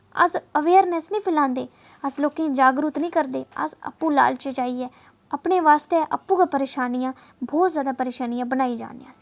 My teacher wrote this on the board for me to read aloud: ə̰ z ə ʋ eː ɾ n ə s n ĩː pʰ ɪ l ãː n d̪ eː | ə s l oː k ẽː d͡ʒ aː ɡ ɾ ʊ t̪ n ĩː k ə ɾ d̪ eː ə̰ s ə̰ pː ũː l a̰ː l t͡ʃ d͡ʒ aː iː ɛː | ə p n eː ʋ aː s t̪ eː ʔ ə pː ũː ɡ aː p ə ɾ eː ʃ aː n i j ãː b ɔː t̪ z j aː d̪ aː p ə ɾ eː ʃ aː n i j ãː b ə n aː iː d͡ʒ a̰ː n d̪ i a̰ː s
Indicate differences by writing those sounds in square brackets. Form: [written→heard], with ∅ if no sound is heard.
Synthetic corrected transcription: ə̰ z ə ʋ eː ɾ n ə s n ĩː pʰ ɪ l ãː n d̪ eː | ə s l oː k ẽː d͡ʒ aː ɡ ɾ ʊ t̪ n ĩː k ə ɾ d̪ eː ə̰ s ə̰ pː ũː l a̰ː l t͡ʃ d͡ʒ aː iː ɛː | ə p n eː ʋ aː s t̪ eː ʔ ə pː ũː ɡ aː p ə ɾ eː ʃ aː n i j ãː b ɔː t̪ z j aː d̪ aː p ə ɾ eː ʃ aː n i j ãː b ə n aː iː d͡ʒ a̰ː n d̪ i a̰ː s